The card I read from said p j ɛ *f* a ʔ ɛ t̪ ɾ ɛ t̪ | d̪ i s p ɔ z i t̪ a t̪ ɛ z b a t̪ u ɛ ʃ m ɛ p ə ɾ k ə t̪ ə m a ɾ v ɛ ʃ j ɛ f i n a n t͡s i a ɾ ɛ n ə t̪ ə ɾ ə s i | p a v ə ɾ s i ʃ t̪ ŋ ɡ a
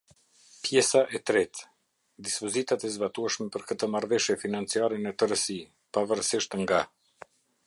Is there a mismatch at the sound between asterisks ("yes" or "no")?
yes